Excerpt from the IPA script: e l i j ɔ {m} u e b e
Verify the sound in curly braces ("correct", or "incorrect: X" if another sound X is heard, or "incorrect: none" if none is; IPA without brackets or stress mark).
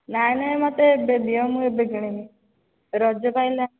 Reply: correct